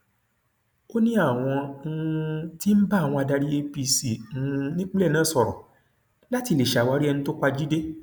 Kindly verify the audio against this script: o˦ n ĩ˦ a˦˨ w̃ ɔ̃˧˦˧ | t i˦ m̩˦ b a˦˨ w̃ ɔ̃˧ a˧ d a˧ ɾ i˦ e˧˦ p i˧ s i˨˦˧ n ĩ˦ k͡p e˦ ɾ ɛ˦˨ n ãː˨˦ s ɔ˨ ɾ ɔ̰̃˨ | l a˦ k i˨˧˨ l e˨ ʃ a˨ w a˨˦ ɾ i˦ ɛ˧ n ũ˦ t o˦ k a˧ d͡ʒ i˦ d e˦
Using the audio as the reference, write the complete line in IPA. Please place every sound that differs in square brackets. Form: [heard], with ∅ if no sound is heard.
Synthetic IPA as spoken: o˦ n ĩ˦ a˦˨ w̃ ɔ̃˧˦˧ | t i˦ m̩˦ b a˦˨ w̃ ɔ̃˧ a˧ d a˧ ɾ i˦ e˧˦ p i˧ s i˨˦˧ n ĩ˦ k͡p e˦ [l] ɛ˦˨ n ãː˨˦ s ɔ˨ ɾ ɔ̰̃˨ | l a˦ [t] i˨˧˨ l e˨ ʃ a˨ w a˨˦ ɾ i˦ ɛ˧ n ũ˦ t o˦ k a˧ d͡ʒ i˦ d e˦